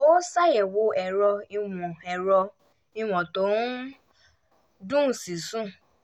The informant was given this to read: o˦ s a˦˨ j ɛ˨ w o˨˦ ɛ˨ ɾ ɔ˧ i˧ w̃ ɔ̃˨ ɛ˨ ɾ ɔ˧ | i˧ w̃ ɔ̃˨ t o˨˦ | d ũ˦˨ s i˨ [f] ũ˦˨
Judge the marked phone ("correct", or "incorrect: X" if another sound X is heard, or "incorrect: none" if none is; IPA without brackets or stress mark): incorrect: s